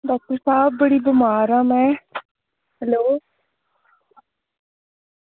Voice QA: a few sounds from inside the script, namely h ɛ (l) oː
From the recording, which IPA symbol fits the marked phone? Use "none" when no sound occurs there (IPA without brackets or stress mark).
l